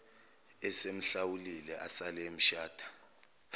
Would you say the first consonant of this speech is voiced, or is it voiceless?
voiceless